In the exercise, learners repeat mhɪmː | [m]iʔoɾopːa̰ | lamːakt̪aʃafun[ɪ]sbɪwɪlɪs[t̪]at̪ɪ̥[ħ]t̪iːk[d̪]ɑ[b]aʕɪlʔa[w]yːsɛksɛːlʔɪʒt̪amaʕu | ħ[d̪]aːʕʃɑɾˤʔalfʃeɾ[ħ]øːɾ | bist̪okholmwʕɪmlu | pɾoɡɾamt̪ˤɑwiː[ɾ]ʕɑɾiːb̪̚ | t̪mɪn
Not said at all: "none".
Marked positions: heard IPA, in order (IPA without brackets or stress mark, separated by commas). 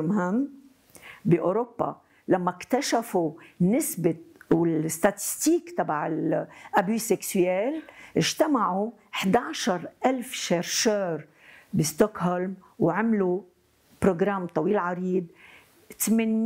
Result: b, ɪ, t̪, s, t̪, b, b, d̪, ʃ, l